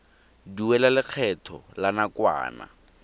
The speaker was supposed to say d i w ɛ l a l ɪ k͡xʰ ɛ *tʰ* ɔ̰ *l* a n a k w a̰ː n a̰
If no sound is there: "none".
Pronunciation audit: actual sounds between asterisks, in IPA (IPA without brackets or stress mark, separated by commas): tʰ, l